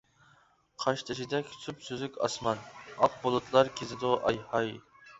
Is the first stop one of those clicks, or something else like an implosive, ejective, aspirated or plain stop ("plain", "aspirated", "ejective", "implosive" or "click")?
aspirated